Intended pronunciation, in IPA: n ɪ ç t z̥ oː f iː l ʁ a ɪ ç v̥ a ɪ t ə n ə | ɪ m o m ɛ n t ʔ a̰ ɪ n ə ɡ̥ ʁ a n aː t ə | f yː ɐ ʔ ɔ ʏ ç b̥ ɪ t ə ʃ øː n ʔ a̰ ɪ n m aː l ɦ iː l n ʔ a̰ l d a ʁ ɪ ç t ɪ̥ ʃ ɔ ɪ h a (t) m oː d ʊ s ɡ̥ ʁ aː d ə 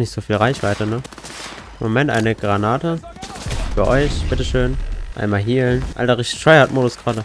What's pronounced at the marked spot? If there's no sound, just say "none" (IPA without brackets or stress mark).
t